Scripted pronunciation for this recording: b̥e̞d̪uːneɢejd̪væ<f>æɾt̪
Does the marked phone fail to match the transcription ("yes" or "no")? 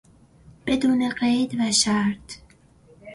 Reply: yes